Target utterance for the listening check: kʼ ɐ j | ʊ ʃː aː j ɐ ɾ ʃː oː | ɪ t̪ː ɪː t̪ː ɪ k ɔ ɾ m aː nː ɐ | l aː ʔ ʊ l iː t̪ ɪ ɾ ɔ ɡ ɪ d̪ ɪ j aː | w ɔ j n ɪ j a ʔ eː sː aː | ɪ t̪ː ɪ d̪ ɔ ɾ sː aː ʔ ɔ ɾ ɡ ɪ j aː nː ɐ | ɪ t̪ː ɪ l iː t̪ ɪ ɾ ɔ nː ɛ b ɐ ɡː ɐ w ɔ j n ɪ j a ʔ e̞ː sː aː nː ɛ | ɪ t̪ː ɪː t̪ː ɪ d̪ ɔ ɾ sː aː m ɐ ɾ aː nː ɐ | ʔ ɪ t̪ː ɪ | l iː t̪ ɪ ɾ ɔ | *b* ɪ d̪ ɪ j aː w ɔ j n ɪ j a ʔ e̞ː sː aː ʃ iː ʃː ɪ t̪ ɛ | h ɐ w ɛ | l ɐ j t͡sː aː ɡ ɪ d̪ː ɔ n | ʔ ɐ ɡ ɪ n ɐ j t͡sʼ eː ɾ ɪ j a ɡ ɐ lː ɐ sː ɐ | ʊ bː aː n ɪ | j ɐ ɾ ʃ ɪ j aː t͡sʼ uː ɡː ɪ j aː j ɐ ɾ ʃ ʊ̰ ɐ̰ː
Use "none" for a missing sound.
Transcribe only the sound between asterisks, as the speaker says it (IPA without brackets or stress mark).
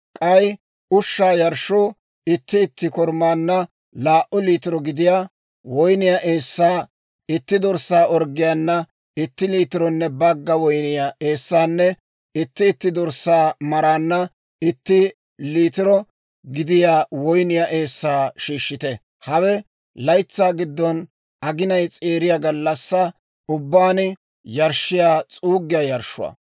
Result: ɡ